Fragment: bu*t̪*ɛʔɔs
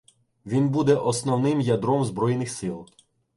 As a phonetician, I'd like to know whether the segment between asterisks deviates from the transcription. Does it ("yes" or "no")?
yes